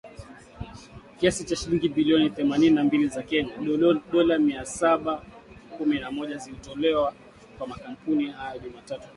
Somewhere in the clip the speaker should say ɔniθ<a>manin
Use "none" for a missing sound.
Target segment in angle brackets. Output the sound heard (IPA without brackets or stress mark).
ɛ